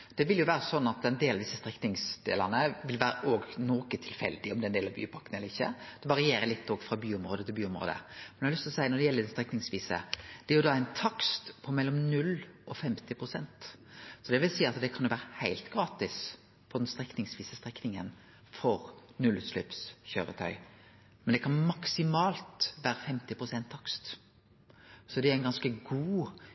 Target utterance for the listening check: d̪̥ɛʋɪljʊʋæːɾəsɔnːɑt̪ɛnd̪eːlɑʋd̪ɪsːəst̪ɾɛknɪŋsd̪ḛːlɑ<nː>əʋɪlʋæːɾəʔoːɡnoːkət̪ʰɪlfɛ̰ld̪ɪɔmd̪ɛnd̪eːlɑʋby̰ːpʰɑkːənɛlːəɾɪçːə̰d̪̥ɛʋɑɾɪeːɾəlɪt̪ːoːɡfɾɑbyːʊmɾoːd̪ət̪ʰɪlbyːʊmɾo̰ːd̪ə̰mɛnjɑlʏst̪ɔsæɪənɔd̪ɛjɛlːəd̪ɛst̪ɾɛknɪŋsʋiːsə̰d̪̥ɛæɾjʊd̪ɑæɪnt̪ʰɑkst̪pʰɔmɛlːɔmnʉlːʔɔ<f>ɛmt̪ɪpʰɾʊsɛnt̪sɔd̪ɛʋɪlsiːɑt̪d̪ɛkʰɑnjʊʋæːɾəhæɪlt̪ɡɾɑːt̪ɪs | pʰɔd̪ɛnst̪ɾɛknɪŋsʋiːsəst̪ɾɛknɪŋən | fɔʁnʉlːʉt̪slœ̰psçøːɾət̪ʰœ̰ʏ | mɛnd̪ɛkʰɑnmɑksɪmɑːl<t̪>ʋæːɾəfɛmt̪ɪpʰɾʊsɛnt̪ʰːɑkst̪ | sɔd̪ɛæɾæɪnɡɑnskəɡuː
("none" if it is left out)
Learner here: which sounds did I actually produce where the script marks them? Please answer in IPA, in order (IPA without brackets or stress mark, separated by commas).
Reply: n, f, t̪